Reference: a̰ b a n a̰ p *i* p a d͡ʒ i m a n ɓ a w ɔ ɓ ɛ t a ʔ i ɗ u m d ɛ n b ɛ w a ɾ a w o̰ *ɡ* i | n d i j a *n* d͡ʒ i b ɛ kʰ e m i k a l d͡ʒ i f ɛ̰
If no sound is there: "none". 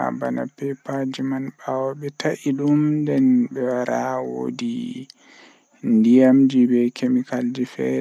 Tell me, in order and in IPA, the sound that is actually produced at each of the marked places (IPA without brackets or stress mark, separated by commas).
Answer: ɛ, d, m